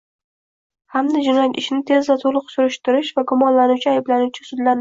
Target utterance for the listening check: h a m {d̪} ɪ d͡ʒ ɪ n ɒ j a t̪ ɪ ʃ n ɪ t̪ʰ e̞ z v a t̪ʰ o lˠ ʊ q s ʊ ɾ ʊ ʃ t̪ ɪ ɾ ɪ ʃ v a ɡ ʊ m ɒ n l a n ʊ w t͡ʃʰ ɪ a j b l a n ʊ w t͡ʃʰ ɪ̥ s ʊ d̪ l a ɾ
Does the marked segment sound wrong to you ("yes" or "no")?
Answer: no